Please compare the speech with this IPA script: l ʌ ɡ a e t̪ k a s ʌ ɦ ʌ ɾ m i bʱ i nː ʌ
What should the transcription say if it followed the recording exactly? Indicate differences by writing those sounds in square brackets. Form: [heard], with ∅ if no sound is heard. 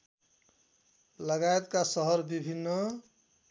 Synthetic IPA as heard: l ʌ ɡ a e t̪ k a s ʌ ɦ ʌ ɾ [b] i bʱ i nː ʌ